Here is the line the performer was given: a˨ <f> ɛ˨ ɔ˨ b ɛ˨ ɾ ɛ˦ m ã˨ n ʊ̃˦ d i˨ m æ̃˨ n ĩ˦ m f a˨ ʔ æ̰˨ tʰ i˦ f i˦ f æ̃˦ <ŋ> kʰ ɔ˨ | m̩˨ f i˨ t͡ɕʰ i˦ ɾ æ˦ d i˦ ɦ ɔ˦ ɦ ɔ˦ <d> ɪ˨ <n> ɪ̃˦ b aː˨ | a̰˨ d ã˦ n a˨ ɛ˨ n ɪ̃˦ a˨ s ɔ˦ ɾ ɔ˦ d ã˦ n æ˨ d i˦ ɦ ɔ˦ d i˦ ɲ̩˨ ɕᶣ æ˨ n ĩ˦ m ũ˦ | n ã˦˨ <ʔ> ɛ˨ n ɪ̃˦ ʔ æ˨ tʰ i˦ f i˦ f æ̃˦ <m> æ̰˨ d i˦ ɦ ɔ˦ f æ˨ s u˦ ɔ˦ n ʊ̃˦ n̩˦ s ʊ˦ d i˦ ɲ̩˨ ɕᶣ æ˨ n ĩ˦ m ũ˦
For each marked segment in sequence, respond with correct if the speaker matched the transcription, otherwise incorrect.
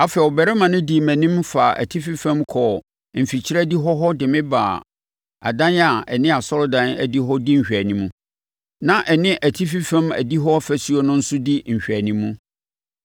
correct, incorrect: m, correct, incorrect: m, correct, correct

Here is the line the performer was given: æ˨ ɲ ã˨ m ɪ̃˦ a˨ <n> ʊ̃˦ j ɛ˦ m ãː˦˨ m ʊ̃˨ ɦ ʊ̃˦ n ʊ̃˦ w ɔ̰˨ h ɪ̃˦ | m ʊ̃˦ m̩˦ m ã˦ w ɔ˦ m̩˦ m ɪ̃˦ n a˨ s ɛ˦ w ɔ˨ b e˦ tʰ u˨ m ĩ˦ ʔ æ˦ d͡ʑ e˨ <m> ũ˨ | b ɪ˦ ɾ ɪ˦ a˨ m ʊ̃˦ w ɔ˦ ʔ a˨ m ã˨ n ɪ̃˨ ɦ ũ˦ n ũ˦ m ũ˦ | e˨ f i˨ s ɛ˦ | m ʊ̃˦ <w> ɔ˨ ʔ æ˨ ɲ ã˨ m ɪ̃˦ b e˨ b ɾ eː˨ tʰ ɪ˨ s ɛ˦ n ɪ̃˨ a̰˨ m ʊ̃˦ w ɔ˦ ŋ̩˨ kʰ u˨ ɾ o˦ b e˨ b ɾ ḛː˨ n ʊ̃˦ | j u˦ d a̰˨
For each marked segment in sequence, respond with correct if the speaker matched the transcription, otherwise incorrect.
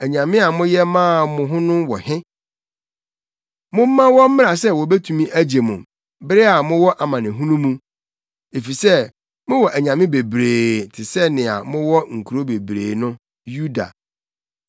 incorrect: m, correct, correct

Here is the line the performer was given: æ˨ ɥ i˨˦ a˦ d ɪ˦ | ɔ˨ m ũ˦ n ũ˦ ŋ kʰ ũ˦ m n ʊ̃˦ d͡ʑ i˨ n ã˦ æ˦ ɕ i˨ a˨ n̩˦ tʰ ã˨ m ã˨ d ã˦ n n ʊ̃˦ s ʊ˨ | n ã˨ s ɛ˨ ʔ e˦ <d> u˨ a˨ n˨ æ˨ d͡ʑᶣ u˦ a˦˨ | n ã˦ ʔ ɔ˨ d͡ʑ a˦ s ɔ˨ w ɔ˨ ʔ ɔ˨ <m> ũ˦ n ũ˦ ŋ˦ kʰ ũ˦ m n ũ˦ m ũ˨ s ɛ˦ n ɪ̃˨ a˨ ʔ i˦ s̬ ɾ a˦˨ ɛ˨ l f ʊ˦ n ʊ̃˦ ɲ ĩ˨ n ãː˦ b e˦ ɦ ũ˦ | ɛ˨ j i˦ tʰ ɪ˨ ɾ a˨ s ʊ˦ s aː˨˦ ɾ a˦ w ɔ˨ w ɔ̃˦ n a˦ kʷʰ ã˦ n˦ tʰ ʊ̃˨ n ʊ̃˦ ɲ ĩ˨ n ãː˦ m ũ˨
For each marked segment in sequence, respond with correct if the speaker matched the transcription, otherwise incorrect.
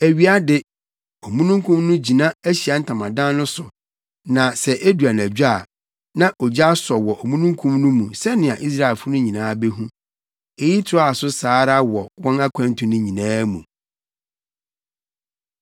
correct, correct

